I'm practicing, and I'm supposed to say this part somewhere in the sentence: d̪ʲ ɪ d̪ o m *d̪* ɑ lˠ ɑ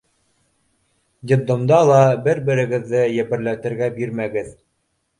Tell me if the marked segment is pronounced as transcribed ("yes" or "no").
yes